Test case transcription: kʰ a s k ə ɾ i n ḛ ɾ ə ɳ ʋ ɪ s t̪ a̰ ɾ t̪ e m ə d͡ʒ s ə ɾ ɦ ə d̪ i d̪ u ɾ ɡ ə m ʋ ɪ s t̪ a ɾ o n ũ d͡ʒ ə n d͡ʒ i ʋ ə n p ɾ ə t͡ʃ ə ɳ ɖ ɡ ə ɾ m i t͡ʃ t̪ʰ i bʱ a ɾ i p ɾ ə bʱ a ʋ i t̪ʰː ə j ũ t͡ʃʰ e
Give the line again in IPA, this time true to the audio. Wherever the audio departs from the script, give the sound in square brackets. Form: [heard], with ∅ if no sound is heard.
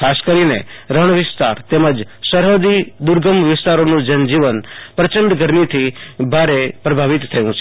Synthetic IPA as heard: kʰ a s k ə ɾ i n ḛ ɾ ə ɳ ʋ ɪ s t̪ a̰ ɾ t̪ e m ə d͡ʒ s ə ɾ ɦ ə d̪ i d̪ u ɾ ɡ ə m ʋ ɪ s t̪ a ɾ o n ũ d͡ʒ ə n d͡ʒ i ʋ ə n p ɾ ə t͡ʃ ə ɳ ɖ ɡ ə ɾ m i [∅] t̪ʰ i bʱ a ɾ [e] p ɾ ə bʱ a ʋ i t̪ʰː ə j ũ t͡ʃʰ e